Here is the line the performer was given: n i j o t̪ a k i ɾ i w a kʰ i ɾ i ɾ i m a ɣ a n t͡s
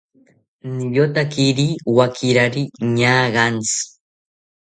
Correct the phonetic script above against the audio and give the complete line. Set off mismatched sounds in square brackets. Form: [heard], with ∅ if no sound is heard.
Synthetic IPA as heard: n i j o t̪ a k i ɾ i w a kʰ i ɾ [a] ɾ i [ɲ] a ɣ a n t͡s